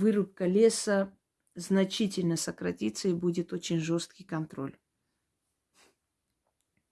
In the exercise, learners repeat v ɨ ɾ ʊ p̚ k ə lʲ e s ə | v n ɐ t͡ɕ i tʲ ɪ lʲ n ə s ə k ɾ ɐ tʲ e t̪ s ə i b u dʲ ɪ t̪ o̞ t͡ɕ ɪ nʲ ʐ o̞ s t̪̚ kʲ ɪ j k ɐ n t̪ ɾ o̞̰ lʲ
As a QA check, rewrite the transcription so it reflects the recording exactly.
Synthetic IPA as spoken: v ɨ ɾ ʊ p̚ k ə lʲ e s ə | z n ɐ t͡ɕ i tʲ ɪ lʲ n ə s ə k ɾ ɐ tʲ i t̪ s ə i b u dʲ ɪ t̪ o̞ t͡ɕ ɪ nʲ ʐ o̞ s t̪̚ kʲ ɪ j k ɐ n t̪ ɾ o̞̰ lʲ